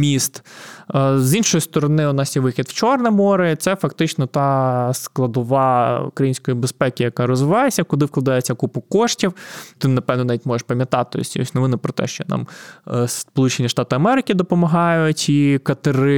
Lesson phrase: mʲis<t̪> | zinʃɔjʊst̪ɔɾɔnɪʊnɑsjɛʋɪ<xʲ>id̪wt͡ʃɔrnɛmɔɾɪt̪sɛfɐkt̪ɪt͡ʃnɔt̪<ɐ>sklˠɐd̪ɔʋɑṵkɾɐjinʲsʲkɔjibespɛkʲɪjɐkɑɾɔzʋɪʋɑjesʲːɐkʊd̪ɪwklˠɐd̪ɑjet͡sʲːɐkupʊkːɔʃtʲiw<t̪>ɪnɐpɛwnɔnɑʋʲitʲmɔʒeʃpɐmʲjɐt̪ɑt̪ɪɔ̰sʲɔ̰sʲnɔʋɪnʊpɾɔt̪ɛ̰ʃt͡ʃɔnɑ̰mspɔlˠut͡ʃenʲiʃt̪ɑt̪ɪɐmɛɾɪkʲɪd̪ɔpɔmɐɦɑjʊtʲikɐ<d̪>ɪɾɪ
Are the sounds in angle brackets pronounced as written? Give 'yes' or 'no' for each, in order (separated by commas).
yes, yes, no, yes, no